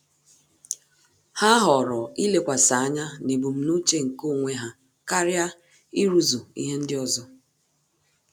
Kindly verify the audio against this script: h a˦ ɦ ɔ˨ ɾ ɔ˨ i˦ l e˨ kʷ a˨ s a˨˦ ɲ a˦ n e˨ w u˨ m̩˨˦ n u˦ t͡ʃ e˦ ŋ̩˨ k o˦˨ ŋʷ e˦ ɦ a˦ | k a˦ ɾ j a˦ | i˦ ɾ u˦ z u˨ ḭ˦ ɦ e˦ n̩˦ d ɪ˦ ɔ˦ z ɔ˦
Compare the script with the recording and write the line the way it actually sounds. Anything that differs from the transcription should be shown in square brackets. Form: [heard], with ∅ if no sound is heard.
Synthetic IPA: h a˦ ɦ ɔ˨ ɾ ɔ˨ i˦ l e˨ kʷ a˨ s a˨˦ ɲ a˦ n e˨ [b] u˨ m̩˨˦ n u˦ t͡ʃ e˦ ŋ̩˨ k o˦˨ ŋʷ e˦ ɦ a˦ | k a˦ ɾ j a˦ | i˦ ɾ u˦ z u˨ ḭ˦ ɦ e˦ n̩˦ d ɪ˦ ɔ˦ z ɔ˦